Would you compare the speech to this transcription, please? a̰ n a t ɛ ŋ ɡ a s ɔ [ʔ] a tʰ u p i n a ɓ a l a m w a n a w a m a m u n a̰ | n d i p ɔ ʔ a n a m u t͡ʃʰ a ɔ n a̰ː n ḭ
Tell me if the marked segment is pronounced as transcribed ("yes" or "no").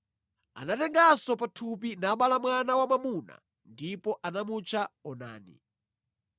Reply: no